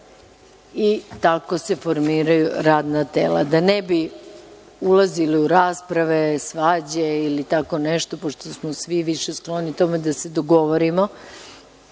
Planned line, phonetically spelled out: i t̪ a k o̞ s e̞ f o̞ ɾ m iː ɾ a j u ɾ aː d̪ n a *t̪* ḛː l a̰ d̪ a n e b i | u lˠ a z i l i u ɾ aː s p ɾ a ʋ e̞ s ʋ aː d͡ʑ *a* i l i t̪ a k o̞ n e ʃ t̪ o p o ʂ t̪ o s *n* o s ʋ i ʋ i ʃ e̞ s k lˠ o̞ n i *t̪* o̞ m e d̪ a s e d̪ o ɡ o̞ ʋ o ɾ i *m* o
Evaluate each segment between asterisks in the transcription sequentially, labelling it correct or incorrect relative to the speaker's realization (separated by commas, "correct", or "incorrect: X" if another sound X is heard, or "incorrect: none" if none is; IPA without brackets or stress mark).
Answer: correct, incorrect: e, incorrect: m, correct, correct